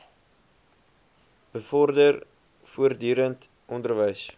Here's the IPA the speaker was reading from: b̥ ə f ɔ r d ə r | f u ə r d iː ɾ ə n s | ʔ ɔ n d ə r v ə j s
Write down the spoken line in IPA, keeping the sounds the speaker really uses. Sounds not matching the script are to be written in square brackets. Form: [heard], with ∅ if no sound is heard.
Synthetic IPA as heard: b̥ ə f ɔ r d ə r | f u ə r d [yː] ɾ ə n [t] | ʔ ɔ n d ə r v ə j s

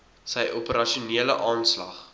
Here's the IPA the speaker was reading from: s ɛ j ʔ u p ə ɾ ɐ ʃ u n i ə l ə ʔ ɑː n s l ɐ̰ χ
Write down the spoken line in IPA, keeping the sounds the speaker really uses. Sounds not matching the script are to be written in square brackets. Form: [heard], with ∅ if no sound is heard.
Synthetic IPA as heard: s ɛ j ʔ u p ə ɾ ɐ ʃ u n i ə l ə ʔ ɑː n s l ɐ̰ χ

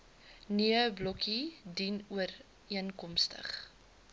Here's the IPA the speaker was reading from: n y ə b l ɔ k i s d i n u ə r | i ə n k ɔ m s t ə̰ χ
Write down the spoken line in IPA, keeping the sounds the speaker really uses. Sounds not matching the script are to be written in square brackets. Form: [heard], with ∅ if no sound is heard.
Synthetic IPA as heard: n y ə b l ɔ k i [∅] d i n u ə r | i ə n k ɔ m s t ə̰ χ

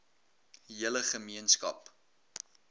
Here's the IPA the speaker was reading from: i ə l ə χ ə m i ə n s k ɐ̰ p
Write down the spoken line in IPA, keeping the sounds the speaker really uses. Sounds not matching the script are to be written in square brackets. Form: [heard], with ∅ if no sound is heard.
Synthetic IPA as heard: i ə l ə χ ə m i ə n s k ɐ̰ p

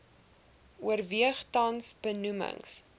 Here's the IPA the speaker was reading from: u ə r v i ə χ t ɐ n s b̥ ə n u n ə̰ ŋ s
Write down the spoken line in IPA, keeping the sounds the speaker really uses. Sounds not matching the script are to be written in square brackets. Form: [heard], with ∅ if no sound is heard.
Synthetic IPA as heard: u ə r v i ə χ t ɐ n s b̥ ə n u [m] ə̰ ŋ s

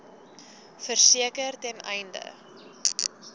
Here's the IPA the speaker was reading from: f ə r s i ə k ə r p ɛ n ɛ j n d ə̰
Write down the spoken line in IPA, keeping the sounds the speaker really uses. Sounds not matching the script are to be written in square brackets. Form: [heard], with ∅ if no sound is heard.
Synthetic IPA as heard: f ə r s i ə k ə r [t] ɛ n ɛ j n d ə̰

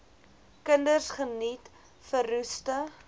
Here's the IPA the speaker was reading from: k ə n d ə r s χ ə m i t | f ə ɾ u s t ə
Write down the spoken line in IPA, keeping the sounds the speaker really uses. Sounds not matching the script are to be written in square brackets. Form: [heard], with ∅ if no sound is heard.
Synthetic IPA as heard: k ə n d ə r s χ ə [n] i t | f ə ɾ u s t ə

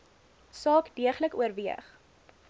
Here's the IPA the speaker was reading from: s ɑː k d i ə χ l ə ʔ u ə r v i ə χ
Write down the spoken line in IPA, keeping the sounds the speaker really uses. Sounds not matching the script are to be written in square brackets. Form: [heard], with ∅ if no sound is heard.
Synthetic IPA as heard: s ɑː k d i ə χ l ə [k] u ə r v i ə χ

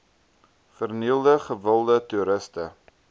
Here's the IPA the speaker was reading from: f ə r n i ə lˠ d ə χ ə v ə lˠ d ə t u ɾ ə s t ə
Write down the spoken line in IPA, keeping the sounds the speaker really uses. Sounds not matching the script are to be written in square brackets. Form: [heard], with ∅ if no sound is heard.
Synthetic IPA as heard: f ə r n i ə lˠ d ə χ ə v ə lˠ d ə t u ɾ ə s t ə

